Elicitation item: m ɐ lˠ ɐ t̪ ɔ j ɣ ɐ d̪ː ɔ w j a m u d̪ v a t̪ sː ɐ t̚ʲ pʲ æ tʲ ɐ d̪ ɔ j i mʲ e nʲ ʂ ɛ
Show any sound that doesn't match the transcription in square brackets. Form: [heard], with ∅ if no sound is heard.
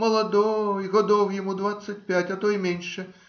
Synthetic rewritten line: m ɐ lˠ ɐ [d̪] ɔ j ɣ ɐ [d̪] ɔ w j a m u d̪ v a t̪ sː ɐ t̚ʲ pʲ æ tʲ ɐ [t̪] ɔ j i mʲ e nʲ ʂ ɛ